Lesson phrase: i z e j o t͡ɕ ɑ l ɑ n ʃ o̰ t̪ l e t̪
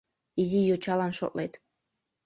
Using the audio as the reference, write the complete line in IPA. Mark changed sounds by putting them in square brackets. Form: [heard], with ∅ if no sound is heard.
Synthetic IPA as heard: i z [i] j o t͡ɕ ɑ l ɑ n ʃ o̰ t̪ l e t̪